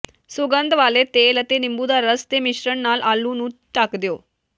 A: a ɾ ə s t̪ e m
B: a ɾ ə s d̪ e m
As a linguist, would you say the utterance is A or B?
A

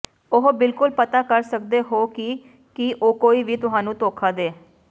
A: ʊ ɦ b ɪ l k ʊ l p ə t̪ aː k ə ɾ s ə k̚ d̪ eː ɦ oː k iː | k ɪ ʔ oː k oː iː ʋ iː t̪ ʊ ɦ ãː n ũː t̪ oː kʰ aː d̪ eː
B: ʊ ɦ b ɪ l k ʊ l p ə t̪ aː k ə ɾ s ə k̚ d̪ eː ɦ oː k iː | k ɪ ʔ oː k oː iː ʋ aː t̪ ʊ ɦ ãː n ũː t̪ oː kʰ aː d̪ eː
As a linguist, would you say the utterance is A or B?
A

